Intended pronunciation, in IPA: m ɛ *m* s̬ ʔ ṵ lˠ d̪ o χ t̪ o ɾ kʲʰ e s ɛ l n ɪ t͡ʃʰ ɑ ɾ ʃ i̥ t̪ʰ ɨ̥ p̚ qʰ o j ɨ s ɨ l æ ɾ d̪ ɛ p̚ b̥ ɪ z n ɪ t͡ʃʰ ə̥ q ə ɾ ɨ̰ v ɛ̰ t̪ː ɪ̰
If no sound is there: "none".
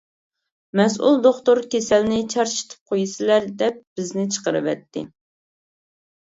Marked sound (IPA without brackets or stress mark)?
none